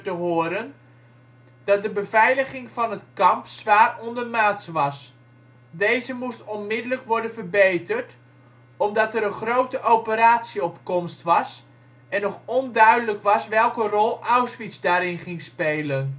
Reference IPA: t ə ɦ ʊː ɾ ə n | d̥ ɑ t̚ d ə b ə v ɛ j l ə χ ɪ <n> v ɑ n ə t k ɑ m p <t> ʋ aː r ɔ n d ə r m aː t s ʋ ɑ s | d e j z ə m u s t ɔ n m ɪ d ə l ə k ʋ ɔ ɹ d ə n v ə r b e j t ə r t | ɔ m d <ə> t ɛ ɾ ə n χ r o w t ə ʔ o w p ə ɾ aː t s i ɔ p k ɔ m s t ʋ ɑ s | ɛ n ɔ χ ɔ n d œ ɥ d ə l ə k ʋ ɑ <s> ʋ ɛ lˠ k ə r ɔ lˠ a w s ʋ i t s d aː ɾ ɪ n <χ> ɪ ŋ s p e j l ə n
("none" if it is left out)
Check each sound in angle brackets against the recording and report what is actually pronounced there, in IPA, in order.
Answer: ŋ, s, ɑ, s, χ

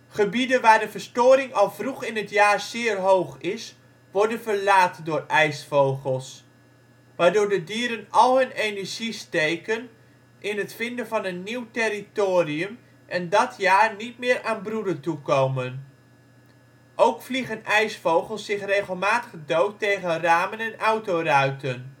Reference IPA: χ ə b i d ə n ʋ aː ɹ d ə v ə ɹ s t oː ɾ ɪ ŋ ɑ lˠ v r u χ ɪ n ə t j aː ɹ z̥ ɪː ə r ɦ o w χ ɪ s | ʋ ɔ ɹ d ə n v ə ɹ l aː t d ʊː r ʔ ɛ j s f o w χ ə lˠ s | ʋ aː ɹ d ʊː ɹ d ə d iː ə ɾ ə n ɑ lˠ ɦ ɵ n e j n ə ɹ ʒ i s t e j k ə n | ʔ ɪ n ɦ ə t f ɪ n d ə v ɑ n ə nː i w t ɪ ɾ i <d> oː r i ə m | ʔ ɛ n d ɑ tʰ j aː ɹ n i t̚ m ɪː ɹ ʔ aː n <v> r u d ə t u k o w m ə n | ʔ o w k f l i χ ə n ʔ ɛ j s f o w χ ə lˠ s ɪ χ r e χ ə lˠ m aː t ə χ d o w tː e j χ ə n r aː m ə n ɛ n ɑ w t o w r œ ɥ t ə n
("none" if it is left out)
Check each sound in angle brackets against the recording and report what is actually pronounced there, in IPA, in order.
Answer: t, b

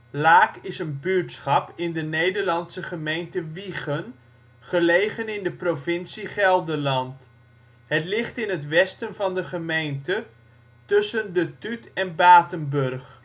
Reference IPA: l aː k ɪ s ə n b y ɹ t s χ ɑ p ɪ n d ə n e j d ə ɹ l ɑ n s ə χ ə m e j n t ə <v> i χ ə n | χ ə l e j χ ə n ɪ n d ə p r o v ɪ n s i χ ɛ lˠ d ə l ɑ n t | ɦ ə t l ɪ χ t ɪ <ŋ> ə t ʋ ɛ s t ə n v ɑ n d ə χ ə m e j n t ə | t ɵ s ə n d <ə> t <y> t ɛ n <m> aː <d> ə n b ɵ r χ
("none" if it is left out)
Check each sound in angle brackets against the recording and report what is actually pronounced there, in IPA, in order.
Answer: ʋ, n, ə, y, b, t

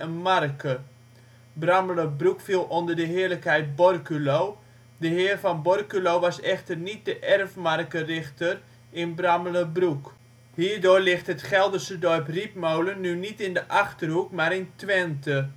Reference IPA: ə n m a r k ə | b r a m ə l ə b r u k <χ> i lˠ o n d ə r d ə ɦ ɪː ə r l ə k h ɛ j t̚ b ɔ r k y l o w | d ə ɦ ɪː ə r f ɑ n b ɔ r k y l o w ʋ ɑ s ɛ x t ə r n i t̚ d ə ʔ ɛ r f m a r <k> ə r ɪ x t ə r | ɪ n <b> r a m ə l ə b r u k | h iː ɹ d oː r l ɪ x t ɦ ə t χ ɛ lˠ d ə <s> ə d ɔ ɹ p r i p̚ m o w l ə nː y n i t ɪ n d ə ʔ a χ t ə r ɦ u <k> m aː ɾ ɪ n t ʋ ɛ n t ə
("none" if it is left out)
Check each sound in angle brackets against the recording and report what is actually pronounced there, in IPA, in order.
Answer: f, k, b, s, k

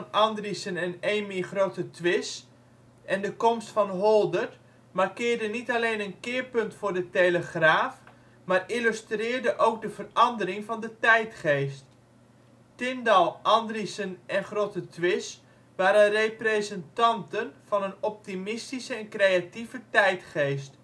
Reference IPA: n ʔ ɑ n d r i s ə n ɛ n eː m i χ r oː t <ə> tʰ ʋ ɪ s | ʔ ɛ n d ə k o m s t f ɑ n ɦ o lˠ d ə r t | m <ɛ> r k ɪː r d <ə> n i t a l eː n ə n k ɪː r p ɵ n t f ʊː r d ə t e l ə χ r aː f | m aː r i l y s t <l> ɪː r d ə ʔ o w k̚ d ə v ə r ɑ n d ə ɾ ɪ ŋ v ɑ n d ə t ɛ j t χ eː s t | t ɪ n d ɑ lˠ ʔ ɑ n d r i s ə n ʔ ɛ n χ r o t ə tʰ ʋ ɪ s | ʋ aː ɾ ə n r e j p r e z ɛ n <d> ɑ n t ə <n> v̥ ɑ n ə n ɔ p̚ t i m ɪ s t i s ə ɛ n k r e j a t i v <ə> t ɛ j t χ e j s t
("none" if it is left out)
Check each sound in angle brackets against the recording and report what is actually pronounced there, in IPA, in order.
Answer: ə, a, ə, r, t, n, ə

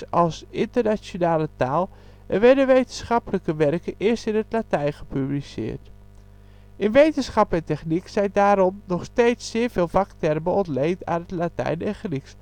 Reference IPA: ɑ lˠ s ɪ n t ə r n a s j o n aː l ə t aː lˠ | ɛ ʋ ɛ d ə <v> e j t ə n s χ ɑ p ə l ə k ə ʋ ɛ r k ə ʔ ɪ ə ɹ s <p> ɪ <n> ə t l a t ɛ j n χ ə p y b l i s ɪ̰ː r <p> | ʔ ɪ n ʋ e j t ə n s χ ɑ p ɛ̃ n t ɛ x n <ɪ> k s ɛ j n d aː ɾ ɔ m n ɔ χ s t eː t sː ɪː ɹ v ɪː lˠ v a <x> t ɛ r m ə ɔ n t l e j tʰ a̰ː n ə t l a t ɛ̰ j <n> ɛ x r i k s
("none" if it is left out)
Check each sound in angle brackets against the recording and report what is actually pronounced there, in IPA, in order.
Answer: ʋ, t, n, t, i, k, n

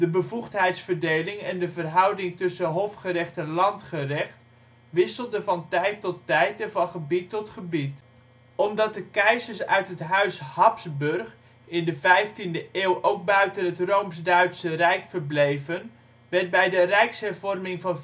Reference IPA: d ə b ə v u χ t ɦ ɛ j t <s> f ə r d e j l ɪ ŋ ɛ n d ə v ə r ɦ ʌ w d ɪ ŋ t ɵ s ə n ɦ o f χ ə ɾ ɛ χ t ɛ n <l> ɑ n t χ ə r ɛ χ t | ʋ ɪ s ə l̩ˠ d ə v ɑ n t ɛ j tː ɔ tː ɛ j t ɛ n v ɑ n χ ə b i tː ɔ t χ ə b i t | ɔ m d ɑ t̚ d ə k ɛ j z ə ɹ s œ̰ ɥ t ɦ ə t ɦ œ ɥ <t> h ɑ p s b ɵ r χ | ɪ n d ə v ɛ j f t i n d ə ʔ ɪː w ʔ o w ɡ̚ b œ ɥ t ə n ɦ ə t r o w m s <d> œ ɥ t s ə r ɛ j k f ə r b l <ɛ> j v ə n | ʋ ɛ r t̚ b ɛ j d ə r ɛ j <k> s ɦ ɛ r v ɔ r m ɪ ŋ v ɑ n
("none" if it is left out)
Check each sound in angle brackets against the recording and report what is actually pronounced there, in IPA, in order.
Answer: s, l, s, d, e, k

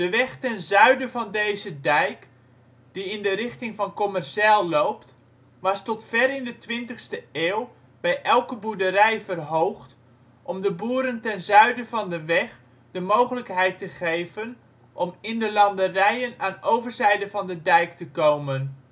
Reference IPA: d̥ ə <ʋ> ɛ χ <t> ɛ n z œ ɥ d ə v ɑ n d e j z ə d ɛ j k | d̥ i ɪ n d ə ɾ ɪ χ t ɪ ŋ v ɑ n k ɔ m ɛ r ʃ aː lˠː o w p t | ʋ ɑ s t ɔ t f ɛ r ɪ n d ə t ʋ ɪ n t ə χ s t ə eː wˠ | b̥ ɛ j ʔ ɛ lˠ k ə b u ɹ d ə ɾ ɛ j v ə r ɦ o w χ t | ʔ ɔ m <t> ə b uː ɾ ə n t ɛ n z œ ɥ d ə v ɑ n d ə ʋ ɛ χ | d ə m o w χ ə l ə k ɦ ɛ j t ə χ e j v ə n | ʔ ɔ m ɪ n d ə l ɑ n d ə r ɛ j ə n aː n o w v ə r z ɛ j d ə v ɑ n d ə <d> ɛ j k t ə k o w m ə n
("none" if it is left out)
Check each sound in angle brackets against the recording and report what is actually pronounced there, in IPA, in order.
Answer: ʋ, t, d, d

